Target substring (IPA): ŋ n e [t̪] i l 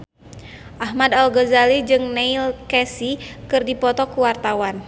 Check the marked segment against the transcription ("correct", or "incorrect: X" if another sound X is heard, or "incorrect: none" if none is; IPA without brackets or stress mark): incorrect: none